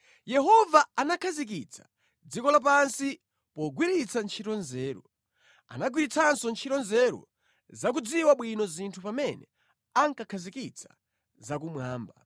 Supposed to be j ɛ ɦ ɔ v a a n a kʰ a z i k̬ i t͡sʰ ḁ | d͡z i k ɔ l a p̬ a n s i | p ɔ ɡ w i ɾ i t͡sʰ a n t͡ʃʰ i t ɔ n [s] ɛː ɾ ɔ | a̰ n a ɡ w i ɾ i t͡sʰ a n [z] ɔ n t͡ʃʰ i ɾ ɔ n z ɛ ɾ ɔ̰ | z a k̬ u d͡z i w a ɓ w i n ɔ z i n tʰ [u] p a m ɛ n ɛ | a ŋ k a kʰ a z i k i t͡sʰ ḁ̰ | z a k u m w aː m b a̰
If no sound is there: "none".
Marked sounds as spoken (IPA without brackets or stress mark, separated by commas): z, s, u